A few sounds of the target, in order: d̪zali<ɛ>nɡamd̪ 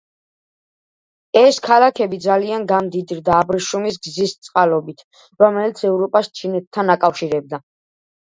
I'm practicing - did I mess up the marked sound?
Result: yes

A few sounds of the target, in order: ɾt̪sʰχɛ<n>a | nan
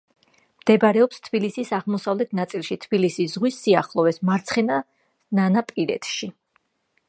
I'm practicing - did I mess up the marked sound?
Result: no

